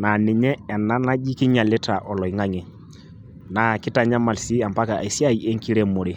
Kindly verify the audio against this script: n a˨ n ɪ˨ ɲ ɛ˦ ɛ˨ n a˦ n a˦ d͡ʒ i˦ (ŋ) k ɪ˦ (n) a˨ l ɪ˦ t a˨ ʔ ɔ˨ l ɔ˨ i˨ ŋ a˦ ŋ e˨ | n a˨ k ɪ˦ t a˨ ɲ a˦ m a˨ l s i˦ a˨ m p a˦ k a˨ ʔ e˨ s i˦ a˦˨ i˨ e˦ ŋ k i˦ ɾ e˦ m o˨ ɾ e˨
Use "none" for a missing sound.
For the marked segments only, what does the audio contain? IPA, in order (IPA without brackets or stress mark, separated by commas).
none, ɲ